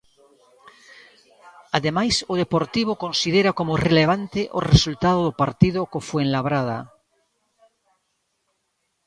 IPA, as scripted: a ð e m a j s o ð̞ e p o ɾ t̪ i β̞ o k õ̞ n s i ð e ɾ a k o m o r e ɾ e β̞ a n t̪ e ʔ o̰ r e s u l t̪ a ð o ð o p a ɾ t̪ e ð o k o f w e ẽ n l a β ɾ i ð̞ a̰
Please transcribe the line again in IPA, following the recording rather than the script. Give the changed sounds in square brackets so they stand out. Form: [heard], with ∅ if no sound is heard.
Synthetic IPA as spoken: a ð e m a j s o ð̞ e p o ɾ t̪ i β̞ o k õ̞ n s i ð e ɾ a k o m o r e [l] e β̞ a n t̪ e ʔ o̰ r e s u l t̪ a ð o ð o p a ɾ t̪ [i] ð o k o f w e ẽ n l a β ɾ [a] ð̞ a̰